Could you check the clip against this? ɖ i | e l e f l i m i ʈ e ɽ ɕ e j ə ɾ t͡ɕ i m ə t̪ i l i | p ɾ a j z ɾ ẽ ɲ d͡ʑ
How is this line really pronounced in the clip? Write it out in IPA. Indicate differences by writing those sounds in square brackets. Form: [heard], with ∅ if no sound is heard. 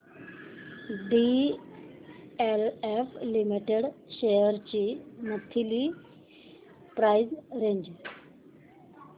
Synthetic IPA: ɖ i | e l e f l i m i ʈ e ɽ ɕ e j ə ɾ t͡ɕ i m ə [t̪ʰ] i l i | p ɾ a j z ɾ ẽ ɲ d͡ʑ

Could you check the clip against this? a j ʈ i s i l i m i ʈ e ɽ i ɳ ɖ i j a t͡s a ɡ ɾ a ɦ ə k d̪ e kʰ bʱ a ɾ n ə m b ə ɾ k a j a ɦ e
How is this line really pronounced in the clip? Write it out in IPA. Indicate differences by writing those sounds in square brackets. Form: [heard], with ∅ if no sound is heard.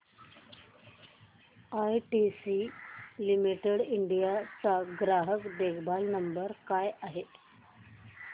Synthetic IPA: a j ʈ i s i l i m i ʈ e ɽ i ɳ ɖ i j a t͡s a ɡ ɾ a ɦ ə k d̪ e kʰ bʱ a [l] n ə m b ə ɾ k a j a ɦ e

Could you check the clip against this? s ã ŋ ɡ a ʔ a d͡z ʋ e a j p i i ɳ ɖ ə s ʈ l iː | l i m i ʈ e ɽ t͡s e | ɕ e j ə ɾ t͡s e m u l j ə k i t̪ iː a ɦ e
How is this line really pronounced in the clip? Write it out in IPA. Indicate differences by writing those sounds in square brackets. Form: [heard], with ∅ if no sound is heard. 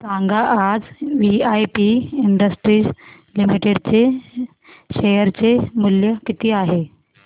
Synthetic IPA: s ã ŋ ɡ a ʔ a d͡z ʋ [i] a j p i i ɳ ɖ ə s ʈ [ɾ] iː | l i m i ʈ e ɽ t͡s e | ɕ e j ə ɾ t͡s e m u l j ə k i t̪ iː a ɦ e

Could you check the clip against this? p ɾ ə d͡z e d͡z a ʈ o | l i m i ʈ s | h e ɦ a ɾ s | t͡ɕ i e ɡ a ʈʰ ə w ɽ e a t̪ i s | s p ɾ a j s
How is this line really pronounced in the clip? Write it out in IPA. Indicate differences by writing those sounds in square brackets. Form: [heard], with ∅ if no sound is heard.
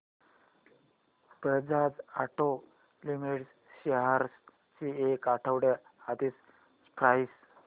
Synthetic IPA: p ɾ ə d͡z [a] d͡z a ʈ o | l i m i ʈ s | [ɕ] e ɦ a ɾ s | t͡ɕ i e [k] a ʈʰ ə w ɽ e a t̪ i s | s p ɾ a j s

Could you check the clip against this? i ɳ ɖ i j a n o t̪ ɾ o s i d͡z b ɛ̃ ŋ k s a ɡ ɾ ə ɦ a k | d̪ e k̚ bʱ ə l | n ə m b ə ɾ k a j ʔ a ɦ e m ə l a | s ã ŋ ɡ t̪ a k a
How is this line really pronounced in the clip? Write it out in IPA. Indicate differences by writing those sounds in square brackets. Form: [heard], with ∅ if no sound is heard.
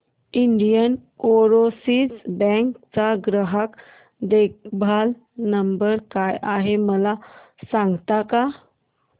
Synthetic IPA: i ɳ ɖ i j [ə] n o [∅] ɾ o s i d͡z b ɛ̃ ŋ k [t͡s] a ɡ ɾ ə ɦ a k | d̪ e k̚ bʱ [a] l | n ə m b ə ɾ k a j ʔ a ɦ e m ə l a | s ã ŋ ɡ t̪ a k a

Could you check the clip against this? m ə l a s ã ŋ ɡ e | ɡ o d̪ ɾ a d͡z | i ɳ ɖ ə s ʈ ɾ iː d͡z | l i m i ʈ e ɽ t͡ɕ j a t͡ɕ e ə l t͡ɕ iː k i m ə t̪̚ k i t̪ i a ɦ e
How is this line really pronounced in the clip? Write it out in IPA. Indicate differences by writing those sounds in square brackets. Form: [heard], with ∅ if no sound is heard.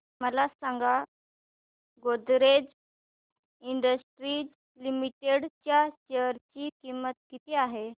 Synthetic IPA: m ə l a s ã ŋ ɡ [a] | ɡ o d̪ ɾ [e] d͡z | i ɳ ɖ ə s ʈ ɾ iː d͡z | l i m i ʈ e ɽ t͡ɕ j a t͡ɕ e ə [ɾ] t͡ɕ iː k i m ə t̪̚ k i t̪ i a ɦ e

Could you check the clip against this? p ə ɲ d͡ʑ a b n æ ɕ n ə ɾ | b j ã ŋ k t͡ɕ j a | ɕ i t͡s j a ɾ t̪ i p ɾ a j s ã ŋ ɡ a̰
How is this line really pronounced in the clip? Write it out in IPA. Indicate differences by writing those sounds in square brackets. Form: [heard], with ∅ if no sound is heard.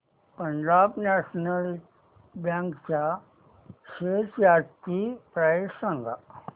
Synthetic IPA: p ə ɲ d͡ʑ a b n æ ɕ n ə [l] | b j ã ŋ k t͡ɕ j a | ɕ [e] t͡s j a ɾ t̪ i p ɾ a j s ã ŋ ɡ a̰

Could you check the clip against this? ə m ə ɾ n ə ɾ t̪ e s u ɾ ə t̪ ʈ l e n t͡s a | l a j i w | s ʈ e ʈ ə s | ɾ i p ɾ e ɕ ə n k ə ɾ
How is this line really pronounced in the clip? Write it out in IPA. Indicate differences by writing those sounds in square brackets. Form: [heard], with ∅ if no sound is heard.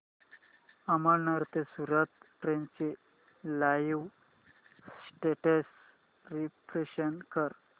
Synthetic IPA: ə m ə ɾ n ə ɾ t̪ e s u ɾ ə t̪ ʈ [ɾ] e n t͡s [e] | l a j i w | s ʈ e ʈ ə s | ɾ i p ɾ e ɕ ə n k ə ɾ

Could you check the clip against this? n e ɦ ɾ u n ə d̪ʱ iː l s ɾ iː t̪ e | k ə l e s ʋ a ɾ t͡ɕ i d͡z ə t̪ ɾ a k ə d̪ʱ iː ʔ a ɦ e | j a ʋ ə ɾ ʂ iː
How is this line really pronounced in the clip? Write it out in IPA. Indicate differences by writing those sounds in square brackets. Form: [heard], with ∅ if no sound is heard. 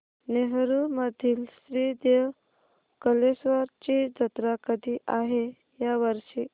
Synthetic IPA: n e ɦ ɾ u [m] ə d̪ʱ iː l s ɾ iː [d̪] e | k ə l e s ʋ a ɾ t͡ɕ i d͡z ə t̪ ɾ a k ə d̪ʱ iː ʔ a ɦ e | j a ʋ ə ɾ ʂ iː

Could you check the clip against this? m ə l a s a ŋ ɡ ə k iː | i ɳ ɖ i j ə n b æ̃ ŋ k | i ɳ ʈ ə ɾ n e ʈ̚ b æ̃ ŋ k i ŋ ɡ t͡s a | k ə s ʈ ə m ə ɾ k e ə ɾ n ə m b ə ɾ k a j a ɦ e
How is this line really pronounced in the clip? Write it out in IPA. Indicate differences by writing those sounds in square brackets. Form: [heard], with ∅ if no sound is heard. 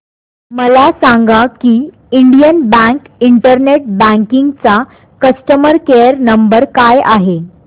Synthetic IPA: m ə l a s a ŋ ɡ [a] k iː | i ɳ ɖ i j ə n b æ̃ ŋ k | i ɳ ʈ ə ɾ n e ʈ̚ b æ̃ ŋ k i ŋ ɡ t͡s a | k ə s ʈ ə m ə ɾ k e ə ɾ n ə m b ə ɾ k a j a ɦ e

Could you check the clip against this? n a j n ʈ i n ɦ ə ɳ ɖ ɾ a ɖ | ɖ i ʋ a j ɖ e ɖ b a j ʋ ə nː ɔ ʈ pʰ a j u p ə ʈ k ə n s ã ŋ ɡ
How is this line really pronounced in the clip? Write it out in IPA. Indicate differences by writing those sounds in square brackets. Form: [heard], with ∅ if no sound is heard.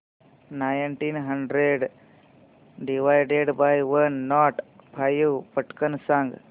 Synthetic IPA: n a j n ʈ i n ɦ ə ɳ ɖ ɾ [e] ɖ | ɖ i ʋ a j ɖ e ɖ b a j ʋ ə nː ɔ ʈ pʰ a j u p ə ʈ k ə n s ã ŋ ɡ

